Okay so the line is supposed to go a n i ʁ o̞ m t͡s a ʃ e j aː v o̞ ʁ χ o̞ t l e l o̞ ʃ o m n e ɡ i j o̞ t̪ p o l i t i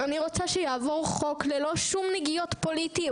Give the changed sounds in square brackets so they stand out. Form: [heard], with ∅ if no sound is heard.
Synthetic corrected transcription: a n i ʁ o̞ [∅] t͡s a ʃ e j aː v o̞ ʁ χ o̞ [k] l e l o̞ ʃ [u] m n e ɡ i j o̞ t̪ p o l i t i